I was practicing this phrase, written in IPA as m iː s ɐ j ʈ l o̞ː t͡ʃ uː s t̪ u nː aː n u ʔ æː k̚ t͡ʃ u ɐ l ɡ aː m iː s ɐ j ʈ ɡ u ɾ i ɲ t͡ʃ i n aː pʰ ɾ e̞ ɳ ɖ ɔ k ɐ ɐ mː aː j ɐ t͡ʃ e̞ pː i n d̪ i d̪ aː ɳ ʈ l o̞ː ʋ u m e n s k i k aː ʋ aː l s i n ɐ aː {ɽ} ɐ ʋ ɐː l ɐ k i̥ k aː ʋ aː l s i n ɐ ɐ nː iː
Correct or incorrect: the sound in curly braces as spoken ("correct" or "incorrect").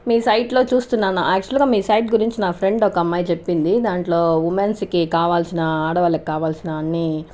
correct